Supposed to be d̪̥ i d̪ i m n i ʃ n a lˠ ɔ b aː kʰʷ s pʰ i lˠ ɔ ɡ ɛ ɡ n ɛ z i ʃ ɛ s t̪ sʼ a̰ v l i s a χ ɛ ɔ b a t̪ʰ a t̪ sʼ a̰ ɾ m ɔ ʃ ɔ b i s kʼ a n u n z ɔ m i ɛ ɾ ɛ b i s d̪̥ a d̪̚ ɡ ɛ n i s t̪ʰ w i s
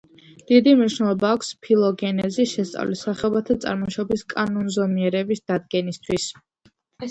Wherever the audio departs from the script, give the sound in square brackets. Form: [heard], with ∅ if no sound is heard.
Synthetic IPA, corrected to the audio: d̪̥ i d̪ i m n i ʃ n [ɛ] lˠ ɔ b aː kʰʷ s pʰ i lˠ ɔ ɡ ɛ [∅] n ɛ z i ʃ ɛ s t̪ sʼ a̰ v l i s a χ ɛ ɔ b a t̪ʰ a t̪ sʼ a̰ ɾ m ɔ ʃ ɔ b i s kʼ a n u n z ɔ m i ɛ ɾ ɛ b i s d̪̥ a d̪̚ ɡ ɛ n i s t̪ʰ w i s